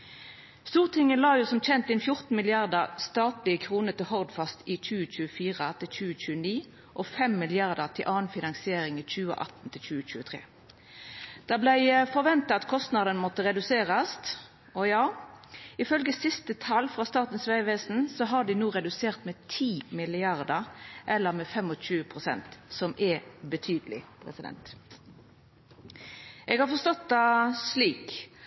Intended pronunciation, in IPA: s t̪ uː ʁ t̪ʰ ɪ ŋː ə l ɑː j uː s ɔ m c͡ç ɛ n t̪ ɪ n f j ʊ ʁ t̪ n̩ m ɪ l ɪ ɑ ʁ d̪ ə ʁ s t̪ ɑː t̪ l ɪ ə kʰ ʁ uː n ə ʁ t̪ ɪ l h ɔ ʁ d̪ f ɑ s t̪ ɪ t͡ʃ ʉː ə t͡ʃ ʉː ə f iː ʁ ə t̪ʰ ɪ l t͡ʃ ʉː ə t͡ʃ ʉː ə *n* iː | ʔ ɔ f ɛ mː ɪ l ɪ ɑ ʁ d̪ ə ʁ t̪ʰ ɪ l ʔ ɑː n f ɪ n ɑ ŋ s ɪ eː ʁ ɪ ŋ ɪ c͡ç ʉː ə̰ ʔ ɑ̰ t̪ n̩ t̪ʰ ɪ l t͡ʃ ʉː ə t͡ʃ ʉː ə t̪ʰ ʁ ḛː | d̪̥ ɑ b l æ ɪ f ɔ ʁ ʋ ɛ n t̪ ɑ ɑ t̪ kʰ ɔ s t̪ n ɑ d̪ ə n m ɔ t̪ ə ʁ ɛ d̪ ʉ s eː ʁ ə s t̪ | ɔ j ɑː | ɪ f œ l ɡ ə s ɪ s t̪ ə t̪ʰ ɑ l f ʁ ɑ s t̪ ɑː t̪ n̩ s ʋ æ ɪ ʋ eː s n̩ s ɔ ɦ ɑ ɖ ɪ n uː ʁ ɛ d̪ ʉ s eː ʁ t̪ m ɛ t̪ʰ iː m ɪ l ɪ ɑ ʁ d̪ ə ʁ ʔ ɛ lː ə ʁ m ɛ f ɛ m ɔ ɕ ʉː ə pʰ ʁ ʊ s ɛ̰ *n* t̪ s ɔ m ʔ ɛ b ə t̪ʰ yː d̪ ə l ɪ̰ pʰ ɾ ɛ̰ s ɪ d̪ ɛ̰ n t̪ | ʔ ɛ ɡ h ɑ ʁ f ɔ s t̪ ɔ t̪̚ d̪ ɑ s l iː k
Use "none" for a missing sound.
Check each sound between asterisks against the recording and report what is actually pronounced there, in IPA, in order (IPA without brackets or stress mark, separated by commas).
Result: n, n